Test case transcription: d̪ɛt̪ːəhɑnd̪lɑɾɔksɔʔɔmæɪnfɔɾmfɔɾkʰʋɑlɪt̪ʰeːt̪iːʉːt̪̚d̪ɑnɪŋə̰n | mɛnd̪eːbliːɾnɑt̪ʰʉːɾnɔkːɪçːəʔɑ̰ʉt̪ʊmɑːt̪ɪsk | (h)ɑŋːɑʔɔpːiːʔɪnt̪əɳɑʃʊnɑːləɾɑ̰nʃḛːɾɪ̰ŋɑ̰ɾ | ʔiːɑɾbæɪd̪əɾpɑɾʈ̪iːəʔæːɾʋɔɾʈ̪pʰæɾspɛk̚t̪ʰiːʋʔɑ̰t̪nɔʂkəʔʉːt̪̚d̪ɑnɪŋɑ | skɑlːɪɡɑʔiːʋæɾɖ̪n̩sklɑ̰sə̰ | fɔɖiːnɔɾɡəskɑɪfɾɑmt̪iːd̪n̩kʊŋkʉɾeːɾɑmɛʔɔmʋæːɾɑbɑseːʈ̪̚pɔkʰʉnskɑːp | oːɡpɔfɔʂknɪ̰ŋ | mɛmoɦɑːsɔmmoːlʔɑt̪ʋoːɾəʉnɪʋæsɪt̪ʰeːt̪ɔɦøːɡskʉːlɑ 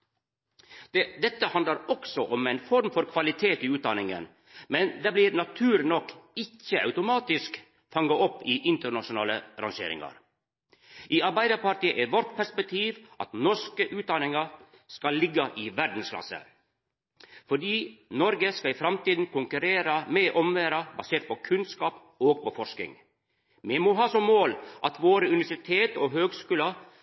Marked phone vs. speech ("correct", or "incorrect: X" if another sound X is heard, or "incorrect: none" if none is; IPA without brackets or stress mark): incorrect: f